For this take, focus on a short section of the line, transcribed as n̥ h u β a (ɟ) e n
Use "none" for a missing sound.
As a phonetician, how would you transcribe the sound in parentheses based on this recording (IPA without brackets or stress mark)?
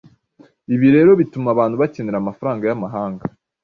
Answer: c